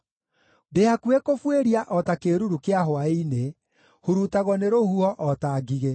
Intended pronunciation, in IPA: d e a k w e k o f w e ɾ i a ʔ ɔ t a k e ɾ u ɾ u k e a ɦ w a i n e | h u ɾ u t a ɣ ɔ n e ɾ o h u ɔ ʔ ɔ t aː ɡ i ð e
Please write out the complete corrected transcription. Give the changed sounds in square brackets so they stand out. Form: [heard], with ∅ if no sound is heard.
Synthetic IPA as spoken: d e a k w e k o f w e ɾ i a ʔ ɔ t a k e ɾ u ɾ u k e a ɦ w a i n e | h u ɾ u t a ɣ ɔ n e ɾ o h u ɔ ʔ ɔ t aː ɡ i [ɣ] e